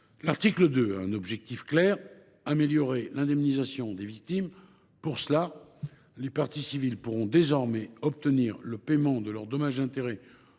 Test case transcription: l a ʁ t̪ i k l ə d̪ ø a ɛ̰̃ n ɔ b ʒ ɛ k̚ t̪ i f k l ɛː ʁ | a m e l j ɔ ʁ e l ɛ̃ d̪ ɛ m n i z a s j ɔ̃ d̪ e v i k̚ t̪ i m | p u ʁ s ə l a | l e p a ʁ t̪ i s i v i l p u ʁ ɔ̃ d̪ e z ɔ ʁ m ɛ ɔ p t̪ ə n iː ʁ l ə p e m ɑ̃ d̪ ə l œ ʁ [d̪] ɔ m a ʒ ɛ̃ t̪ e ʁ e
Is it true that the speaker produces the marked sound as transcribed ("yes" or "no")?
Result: yes